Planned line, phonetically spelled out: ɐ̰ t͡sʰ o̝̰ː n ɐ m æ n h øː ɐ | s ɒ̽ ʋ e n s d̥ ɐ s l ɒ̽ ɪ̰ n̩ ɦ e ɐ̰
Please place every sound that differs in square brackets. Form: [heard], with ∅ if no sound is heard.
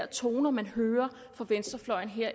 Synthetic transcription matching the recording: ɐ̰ t͡sʰ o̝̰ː n ɐ m æ n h øː ɐ | [f] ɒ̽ ʋ e n s d̥ ɐ [f] l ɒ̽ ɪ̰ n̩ ɦ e ɐ̰

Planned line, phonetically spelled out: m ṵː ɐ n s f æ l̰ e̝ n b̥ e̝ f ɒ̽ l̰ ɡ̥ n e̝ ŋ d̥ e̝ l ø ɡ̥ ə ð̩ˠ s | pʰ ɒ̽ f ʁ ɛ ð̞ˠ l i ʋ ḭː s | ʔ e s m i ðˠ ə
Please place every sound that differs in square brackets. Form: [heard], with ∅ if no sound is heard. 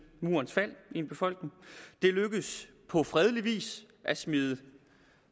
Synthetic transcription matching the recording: m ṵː ɐ n s f æ l̰ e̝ n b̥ e̝ f ɒ̽ l̰ ɡ̥ n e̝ ŋ d̥ e̝ l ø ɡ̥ ə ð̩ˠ s | pʰ ɒ̽ f ʁ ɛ ð̞ˠ l i ʋ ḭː s | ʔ [æ] s m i ðˠ ə

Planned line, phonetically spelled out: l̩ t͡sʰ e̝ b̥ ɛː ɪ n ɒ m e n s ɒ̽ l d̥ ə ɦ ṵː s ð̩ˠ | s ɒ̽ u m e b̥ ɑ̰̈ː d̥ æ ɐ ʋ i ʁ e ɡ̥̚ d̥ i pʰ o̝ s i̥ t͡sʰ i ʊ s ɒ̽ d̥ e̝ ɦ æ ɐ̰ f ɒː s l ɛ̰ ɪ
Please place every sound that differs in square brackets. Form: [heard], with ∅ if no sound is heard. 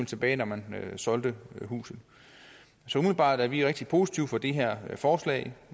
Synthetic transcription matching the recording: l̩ t͡sʰ e̝ b̥ ɛː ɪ n ɒ m [æ] n s ɒ̽ l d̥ ə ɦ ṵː s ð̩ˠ | s ɒ̽ u m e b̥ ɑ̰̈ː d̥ æ ɐ ʋ i ʁ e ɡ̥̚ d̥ i pʰ o̝ s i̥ t͡sʰ i ʊ [f] ɒ̽ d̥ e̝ ɦ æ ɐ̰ f ɒː s l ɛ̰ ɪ

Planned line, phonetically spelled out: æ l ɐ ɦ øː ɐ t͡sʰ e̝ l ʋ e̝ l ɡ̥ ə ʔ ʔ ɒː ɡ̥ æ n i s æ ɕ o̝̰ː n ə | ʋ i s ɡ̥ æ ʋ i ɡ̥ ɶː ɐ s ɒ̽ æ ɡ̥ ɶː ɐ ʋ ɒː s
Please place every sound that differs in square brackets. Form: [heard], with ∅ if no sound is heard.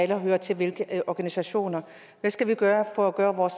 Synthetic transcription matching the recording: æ l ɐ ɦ øː ɐ t͡sʰ e̝ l ʋ e̝ l ɡ̥ ə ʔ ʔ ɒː ɡ̥ æ n i s æ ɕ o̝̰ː n [ɐ] | ʋ [æ] s ɡ̥ æ ʋ i ɡ̥ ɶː ɐ [f] ɒ̽ æ ɡ̥ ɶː ɐ ʋ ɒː s

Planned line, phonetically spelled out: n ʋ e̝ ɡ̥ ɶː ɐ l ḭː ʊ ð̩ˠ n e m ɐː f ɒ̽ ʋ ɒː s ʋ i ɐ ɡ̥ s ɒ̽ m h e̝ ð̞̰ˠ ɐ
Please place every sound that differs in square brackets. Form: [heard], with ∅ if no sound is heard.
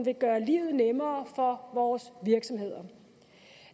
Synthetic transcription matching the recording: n ʋ e̝ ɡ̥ ɶː ɐ l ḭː ʊ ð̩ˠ n e m ɐː f ɒ̽ ʋ ɒː s ʋ i ɐ ɡ̥ s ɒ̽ m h e̝ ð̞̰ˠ ɐ

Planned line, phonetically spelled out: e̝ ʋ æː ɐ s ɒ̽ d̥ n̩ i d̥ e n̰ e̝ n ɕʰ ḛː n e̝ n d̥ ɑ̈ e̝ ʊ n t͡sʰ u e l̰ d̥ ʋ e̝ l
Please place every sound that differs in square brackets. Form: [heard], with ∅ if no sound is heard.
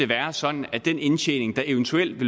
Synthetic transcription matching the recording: e̝ ʋ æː ɐ s ɒ̽ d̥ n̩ [æ] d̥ e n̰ e̝ n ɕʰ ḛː n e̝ [ŋ] d̥ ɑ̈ e̝ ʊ n t͡sʰ u e l̰ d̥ ʋ e̝ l

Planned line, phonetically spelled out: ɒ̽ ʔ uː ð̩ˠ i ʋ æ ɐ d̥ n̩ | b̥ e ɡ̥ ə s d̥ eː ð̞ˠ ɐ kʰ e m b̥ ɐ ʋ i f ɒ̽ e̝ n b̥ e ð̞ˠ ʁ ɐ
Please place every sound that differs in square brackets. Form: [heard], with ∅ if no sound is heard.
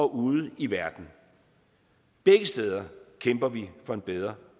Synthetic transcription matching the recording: ɒ̽ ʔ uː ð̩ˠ i ʋ æ ɐ d̥ n̩ | b̥ e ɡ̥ ə s d̥ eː ð̞ˠ ɐ kʰ e m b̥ ɐ ʋ i f ɒ̽ e̝ n b̥ e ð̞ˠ ʁ ɐ

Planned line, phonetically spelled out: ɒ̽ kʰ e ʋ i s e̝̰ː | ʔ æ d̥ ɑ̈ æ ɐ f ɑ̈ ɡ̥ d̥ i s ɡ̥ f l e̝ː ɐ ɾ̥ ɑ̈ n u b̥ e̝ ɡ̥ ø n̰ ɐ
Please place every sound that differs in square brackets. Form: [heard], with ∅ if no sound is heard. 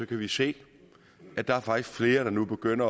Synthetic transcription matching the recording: ɒ̽ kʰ [æ] ʋ i s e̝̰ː | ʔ æ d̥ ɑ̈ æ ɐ f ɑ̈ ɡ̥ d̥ i s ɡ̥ f l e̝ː ɐ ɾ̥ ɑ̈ n u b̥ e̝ ɡ̥ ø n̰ ɐ

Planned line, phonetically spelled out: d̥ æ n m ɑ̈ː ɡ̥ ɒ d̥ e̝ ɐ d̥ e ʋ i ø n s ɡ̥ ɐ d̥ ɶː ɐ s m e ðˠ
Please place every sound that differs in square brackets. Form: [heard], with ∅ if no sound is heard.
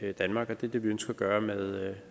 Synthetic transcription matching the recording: d̥ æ n m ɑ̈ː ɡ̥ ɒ d̥ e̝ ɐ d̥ e ʋ i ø n s ɡ̥ ɐ [ɡ̥] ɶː ɐ [∅] m e ðˠ

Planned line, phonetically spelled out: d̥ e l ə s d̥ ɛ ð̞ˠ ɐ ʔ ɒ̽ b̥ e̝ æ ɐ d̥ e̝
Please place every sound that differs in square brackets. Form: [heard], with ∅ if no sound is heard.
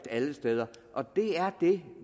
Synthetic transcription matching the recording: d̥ [æ] l ə s d̥ [e] ð̞ˠ ɐ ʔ ɒ̽ [d̥] e̝ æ ɐ d̥ e̝

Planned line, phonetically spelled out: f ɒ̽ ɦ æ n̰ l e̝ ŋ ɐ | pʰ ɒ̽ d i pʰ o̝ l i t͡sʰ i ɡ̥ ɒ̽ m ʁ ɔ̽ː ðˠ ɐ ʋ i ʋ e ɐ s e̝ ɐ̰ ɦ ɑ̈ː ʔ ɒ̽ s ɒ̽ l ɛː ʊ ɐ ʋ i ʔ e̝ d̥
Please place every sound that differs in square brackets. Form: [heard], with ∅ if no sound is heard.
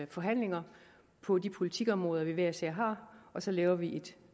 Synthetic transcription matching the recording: f ɒ̽ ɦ æ n̰ l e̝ ŋ ɐ | pʰ ɒ̽ d i pʰ o̝ l i t͡sʰ i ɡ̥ ɒ̽ m ʁ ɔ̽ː ðˠ ɐ ʋ i ʋ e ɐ s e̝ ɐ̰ ɦ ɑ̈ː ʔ ɒ̽ s ɒ̽ l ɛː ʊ ɐ ʋ i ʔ e̝ d̥

